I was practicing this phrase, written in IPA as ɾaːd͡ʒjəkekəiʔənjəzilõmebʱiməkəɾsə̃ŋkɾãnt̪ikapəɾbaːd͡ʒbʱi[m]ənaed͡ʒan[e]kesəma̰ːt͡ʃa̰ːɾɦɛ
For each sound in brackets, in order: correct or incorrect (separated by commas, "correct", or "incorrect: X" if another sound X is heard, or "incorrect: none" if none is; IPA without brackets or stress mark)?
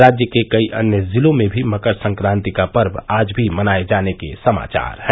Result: correct, correct